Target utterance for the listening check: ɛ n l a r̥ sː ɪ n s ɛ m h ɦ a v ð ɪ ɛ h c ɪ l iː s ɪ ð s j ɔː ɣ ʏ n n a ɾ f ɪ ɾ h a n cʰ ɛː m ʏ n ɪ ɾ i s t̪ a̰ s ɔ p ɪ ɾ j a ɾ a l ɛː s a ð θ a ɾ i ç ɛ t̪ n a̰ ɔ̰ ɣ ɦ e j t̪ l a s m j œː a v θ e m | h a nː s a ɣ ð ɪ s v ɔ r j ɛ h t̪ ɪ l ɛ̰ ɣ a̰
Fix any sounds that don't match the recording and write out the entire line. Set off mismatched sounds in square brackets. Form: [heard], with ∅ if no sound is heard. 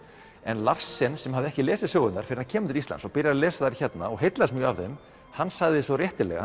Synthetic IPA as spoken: ɛ n l a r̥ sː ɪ n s ɛ m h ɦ a v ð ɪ ɛ h c ɪ l [ɛː] s ɪ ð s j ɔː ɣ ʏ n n a ɾ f ɪ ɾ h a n cʰ ɛː m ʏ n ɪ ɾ i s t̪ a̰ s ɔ p ɪ ɾ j a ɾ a l ɛː s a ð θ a ɾ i ç ɛ t̪ n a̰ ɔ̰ ɣ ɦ e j t̪ l a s m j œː a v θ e m | h a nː s a ɣ ð ɪ s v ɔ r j ɛ h t̪ ɪ l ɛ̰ ɣ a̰